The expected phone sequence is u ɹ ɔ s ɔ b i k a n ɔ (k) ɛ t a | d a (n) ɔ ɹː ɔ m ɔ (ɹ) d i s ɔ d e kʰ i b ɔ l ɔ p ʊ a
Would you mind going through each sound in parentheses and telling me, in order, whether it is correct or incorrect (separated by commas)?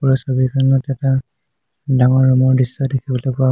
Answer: incorrect, incorrect, correct